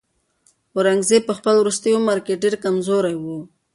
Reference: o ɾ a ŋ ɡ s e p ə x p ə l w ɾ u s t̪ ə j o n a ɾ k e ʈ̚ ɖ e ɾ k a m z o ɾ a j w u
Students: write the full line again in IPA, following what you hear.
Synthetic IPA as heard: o ɾ a ŋ ɡ z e p ə x p ə l w ɾ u s t̪ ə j o m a ɾ k e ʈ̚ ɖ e ɾ k a m z o ɾ a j w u